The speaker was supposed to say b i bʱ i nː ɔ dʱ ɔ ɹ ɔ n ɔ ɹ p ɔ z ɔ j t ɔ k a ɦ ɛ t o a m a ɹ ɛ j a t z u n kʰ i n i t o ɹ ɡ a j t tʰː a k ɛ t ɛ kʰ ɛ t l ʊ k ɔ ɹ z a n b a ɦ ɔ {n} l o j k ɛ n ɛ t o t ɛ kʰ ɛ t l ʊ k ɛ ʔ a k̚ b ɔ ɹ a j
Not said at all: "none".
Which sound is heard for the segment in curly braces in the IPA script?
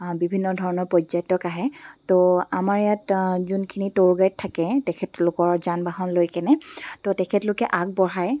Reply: n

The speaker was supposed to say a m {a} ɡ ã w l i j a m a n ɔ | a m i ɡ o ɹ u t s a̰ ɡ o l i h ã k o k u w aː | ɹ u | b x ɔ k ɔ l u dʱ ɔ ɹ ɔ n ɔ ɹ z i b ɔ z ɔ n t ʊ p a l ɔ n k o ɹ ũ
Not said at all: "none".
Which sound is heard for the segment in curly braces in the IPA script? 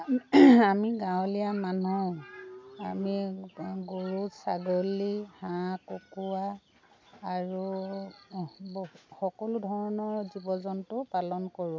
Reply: i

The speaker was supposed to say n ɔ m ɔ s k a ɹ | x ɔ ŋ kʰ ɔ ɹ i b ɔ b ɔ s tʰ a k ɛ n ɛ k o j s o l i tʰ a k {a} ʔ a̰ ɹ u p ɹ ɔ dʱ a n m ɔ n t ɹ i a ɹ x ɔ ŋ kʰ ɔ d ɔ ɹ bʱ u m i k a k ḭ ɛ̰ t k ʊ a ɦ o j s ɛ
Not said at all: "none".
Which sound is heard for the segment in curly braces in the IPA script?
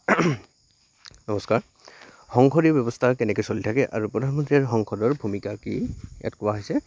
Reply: ɛ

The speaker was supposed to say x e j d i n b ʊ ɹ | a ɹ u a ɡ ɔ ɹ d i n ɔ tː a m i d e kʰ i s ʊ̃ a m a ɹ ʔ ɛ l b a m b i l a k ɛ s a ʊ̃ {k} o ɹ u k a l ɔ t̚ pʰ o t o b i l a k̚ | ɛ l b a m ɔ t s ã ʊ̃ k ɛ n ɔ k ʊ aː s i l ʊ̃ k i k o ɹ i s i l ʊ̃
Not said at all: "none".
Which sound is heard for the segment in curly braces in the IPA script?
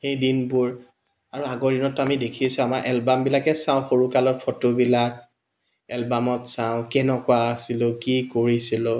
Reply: x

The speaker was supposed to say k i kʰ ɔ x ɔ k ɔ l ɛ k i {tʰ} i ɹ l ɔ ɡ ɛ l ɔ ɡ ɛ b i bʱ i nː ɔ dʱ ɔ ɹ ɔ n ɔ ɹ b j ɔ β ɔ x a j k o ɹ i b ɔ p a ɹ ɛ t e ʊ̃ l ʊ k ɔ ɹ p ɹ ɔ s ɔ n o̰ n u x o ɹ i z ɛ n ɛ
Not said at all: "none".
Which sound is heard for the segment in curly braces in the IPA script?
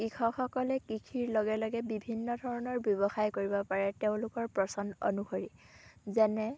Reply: kʰ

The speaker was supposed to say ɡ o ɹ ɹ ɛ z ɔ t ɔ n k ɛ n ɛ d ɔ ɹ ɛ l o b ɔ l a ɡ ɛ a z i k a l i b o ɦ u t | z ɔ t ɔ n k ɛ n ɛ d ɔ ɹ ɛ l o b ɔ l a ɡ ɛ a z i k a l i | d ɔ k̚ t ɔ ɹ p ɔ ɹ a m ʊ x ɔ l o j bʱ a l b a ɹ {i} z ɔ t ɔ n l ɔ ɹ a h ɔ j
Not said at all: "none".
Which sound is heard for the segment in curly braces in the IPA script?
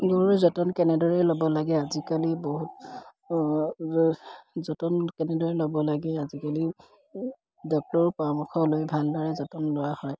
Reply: ɛ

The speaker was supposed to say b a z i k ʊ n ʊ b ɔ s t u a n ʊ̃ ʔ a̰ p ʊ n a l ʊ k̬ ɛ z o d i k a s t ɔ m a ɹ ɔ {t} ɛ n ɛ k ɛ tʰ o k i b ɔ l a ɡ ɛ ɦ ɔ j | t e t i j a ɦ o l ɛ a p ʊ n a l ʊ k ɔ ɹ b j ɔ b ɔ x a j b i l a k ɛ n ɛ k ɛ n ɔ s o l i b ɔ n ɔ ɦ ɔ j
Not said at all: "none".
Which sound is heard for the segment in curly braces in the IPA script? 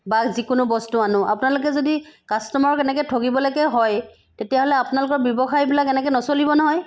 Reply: k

